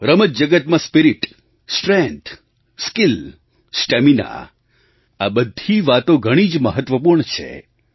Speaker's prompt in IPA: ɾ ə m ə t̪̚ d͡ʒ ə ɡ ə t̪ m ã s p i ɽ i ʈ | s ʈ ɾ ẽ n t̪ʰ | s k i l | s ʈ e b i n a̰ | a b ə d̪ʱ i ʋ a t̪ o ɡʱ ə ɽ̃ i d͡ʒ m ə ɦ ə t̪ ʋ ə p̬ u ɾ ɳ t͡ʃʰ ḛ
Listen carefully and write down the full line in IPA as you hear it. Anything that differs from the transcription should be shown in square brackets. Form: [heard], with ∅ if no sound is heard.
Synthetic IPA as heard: ɾ ə m ə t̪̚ d͡ʒ ə ɡ ə t̪ m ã s p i [ɾ] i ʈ | s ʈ ɾ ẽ n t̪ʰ | s k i l | s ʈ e [m] i n a̰ | a b ə d̪ʱ i ʋ a t̪ o ɡʱ ə ɽ̃ i d͡ʒ m ə ɦ ə t̪ ʋ ə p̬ u ɾ ɳ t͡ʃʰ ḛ